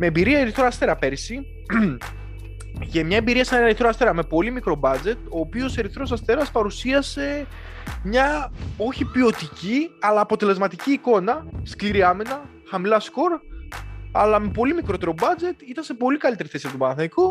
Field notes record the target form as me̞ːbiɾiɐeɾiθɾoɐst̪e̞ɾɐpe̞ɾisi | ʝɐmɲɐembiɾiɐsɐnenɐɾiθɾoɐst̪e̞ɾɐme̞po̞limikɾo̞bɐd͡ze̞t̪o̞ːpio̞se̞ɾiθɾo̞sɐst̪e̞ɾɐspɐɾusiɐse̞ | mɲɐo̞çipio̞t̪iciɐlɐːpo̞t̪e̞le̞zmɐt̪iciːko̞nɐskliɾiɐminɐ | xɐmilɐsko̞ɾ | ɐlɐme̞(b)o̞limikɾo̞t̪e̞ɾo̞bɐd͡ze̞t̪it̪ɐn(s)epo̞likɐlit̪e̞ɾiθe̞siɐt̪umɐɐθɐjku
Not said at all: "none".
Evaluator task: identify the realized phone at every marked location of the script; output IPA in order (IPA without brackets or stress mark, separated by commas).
p, s